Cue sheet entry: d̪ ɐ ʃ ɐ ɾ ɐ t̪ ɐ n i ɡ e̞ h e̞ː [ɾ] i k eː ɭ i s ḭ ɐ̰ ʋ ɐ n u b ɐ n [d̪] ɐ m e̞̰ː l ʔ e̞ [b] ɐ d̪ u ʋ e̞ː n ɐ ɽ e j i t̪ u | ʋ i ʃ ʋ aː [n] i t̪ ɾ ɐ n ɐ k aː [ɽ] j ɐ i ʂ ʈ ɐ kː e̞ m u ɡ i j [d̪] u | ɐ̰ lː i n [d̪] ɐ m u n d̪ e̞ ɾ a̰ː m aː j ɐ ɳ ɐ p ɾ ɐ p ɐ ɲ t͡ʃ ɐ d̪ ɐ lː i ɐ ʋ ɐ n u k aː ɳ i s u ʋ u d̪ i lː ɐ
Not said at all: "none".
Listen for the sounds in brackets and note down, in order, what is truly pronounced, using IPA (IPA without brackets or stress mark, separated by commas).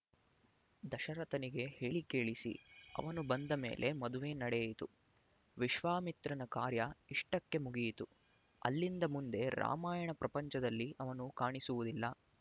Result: ɭ, d̪, m, m, ɾ, t̪, d̪